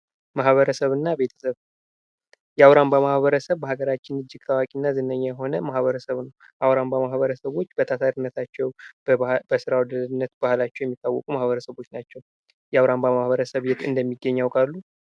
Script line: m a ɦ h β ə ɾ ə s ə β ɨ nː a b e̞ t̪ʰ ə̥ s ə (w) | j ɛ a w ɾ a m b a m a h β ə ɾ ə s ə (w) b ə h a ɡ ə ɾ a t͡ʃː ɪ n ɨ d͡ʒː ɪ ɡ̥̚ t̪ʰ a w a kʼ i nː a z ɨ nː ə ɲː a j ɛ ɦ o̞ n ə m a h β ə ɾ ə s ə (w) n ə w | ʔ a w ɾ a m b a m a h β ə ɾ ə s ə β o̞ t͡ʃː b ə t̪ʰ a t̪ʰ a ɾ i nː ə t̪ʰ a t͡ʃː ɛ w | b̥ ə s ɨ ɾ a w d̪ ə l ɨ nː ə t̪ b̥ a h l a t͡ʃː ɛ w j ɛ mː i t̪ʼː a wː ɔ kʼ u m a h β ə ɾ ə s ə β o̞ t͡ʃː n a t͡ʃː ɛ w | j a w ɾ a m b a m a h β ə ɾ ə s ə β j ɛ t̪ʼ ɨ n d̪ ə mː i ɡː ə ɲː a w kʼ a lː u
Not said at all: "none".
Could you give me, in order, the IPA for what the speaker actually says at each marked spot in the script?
β, β, β

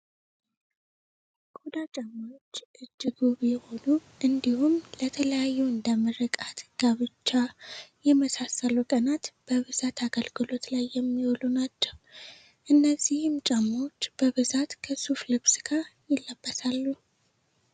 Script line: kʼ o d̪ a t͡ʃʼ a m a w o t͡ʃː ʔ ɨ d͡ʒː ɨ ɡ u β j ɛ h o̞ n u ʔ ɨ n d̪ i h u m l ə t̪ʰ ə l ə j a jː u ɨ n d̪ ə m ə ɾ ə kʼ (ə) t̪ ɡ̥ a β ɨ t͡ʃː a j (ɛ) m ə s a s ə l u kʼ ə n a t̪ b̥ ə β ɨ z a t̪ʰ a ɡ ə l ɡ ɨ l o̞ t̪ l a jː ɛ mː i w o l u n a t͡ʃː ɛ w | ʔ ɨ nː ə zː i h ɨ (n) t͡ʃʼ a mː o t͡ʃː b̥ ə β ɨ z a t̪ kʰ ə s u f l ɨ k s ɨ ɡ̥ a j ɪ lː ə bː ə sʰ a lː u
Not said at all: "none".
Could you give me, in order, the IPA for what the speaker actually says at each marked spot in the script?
a, ɛ, m

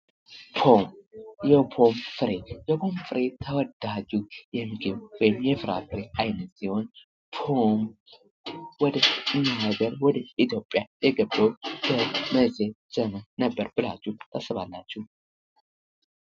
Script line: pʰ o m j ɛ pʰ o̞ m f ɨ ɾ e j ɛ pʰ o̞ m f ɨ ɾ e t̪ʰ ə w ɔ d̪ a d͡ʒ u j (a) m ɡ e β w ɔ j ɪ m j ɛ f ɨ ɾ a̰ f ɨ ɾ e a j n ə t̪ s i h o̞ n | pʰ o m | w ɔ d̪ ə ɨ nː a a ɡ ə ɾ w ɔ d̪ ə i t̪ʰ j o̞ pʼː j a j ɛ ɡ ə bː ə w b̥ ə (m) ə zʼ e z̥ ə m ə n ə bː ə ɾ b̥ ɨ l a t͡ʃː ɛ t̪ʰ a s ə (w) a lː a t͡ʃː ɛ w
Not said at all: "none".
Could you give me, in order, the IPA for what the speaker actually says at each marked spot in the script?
ɛ, m, β

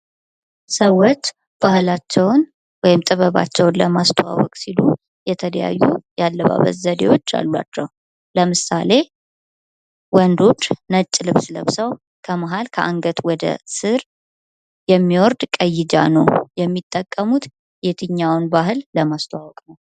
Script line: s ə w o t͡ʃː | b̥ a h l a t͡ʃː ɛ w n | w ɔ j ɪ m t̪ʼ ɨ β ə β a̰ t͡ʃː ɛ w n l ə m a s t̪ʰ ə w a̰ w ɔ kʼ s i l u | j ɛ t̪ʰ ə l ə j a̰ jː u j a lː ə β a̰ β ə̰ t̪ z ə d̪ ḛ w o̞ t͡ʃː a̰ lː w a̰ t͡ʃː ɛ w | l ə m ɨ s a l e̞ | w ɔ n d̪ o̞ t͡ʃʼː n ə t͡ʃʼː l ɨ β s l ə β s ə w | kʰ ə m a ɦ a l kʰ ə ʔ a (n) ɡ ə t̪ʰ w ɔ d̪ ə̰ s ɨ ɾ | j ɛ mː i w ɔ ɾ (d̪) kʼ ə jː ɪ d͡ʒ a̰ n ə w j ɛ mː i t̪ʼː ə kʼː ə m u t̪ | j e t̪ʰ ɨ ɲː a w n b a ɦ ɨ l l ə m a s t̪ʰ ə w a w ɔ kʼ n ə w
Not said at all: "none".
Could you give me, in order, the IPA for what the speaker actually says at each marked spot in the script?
ŋ, d̪

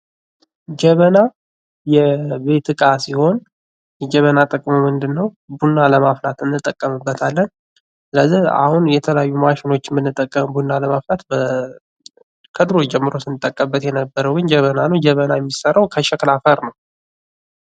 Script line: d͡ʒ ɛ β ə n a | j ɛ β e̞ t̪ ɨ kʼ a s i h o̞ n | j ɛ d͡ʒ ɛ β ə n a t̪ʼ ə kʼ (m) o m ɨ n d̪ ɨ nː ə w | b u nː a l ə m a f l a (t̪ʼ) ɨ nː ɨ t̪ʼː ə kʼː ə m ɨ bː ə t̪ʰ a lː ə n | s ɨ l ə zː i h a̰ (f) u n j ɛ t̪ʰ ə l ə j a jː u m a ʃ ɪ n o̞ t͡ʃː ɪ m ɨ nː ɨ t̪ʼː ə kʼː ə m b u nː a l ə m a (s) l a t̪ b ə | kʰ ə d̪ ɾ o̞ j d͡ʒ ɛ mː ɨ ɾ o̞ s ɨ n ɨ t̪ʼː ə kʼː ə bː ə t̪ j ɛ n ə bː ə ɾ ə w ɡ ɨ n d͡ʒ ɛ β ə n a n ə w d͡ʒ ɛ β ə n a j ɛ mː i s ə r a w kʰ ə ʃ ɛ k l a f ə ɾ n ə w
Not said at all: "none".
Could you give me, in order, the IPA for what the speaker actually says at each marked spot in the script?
m, t̪, h, f

